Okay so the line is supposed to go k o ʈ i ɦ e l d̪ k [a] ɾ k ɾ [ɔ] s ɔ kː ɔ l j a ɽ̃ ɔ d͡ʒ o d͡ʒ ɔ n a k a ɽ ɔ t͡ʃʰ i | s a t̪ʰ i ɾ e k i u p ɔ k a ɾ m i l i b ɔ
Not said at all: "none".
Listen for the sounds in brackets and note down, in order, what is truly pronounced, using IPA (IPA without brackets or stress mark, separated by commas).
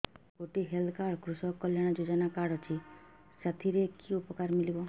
a, u